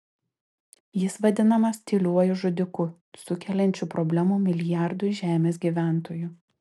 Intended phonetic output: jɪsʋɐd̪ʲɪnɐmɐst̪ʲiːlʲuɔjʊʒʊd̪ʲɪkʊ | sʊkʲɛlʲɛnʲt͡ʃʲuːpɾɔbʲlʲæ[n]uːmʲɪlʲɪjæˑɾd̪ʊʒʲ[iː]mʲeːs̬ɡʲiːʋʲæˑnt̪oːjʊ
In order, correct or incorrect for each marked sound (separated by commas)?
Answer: incorrect, incorrect